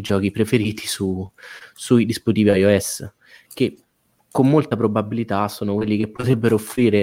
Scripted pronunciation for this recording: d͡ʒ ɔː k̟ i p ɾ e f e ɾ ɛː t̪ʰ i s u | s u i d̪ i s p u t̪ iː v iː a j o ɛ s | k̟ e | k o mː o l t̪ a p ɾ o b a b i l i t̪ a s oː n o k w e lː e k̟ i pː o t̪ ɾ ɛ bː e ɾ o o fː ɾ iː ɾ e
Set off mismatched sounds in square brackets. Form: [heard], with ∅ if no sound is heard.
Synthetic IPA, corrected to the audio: d͡ʒ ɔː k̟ i p ɾ e f e ɾ [iː] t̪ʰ i s u | s u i d̪ i s p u t̪ iː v [i] a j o ɛ s | k̟ e | k o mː o l t̪ a p ɾ o b a b i l i t̪ a s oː n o k w e lː [i] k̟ [e] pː o t̪ ɾ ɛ bː e ɾ o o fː ɾ iː ɾ e